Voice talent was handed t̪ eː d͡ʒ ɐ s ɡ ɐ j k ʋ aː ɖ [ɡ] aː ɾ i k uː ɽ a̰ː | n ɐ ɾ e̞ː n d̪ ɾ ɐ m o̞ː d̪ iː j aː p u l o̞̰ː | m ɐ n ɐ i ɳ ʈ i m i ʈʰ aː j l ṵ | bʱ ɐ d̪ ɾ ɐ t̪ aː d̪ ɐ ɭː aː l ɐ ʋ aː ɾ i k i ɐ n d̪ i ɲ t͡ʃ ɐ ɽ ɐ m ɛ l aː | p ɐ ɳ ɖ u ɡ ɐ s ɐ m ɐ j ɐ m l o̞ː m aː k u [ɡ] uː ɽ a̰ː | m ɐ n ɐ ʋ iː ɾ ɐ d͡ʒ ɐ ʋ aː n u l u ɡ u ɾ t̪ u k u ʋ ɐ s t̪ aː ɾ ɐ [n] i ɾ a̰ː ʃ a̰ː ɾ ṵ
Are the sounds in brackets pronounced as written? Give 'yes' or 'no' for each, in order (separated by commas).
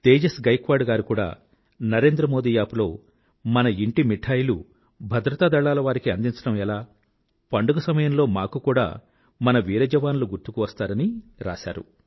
yes, no, yes